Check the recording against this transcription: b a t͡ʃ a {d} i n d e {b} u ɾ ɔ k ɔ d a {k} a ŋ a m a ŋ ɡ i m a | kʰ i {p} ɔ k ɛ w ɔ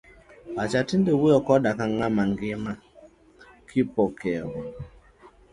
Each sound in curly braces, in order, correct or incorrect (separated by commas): incorrect, incorrect, correct, correct